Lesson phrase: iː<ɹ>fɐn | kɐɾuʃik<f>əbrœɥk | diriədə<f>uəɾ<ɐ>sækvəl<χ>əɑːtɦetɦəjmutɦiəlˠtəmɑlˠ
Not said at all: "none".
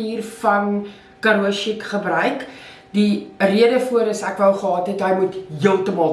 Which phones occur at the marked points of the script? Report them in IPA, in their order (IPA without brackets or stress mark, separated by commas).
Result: r, χ, f, ə, χ